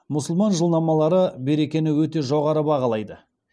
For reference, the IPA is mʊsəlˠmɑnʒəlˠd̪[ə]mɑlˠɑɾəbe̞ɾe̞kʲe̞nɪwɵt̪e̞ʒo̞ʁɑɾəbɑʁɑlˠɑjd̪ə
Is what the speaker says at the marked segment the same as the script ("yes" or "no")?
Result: no